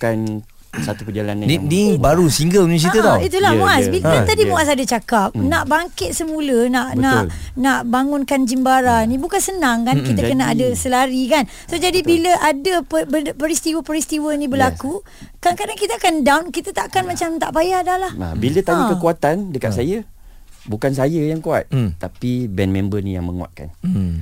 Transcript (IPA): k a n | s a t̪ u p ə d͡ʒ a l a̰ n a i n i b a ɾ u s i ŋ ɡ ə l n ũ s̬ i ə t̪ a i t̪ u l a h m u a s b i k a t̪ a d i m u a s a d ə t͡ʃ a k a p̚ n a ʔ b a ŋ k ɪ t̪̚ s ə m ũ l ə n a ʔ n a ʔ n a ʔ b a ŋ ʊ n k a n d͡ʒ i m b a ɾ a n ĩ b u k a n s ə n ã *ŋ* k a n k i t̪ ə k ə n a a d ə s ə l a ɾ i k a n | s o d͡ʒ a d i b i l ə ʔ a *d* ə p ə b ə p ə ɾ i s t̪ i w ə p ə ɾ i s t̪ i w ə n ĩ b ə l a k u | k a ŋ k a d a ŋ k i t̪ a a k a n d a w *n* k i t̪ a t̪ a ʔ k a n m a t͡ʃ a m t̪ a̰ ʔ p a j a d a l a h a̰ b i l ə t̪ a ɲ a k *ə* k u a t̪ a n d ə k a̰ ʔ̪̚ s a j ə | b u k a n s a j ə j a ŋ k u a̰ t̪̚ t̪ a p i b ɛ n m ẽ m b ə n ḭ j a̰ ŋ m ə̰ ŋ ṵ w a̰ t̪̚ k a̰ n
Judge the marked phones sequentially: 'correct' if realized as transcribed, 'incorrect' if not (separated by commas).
correct, correct, correct, correct